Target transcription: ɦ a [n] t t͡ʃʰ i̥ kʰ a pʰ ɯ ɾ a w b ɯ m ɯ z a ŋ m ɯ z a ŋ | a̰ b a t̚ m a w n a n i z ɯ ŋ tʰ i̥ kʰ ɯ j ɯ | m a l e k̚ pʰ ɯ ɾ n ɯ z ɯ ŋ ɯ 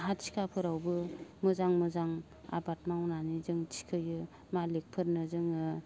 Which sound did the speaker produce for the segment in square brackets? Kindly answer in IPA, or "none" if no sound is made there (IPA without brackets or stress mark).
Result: none